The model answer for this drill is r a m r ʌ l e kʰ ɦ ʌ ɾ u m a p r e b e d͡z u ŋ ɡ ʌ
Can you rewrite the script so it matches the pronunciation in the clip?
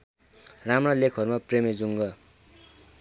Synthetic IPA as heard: r a m r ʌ l e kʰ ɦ ʌ ɾ u m a p r e m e d͡z u ŋ ɡ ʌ